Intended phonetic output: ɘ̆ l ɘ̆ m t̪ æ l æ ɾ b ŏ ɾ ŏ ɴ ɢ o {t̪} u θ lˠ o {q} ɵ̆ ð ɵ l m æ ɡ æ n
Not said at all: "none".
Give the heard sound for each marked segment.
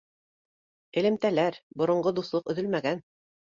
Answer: d̪, q

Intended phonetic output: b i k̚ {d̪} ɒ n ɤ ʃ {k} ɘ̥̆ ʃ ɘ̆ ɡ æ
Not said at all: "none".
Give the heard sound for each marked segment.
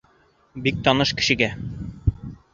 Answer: t̪, k

